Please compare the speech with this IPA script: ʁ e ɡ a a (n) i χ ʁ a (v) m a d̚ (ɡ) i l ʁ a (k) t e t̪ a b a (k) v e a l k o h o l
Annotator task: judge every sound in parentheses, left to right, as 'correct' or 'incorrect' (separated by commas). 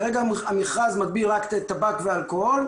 incorrect, incorrect, incorrect, correct, correct